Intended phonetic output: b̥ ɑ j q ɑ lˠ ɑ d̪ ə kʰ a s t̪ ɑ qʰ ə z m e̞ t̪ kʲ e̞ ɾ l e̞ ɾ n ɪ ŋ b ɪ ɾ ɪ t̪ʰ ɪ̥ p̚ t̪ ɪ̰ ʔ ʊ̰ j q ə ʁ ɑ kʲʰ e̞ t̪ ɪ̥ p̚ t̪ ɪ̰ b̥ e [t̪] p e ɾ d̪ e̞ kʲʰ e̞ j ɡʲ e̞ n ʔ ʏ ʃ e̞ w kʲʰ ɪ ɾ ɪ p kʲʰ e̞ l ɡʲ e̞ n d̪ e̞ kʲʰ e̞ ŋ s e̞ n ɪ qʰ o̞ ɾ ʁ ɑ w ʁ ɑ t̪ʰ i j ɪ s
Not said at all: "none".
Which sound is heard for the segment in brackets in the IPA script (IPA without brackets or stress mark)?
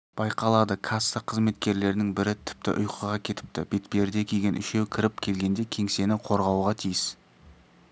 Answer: t̪